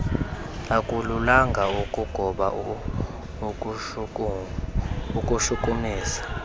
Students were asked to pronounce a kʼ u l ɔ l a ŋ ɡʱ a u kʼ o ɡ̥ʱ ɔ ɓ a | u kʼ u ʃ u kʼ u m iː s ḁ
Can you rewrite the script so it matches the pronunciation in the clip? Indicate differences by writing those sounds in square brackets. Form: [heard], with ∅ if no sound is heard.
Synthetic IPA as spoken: a kʼ u l [u] l a ŋ ɡʱ a u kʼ [u] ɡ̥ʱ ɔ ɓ a | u kʼ u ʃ u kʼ u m iː s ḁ